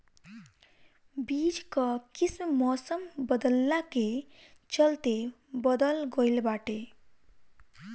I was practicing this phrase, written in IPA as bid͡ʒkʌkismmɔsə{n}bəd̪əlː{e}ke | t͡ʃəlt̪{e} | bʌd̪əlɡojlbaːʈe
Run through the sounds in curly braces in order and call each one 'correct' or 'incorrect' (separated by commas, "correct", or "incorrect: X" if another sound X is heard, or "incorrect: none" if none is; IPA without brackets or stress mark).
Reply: incorrect: m, incorrect: a, correct